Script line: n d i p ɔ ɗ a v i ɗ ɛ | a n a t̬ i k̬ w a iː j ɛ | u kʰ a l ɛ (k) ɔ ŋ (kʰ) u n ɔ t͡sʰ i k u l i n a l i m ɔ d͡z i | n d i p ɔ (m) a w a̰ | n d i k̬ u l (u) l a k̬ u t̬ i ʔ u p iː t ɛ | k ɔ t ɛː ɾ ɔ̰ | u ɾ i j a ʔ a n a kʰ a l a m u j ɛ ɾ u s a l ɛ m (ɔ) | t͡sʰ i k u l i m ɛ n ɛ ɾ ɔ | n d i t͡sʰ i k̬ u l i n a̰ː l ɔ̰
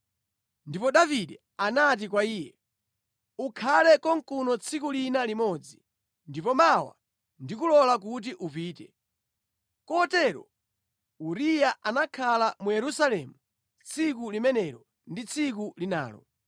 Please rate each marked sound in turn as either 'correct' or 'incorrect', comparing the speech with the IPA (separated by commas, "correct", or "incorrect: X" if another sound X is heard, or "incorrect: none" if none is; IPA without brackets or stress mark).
correct, incorrect: k, correct, incorrect: ɔ, incorrect: u